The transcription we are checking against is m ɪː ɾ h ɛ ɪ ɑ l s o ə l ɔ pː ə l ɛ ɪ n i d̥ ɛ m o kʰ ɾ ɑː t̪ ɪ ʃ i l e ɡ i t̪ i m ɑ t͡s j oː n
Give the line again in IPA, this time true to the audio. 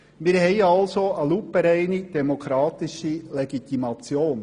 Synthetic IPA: m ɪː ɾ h ɛ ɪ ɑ l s o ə l u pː ə ɾ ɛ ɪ n i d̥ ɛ m o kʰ ɾ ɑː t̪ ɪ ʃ i l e ɡ i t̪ i m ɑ t͡s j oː n